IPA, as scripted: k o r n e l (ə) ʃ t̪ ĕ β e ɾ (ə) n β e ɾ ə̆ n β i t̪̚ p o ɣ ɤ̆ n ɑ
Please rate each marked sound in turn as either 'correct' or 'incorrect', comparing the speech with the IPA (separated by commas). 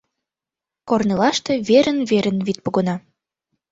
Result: incorrect, correct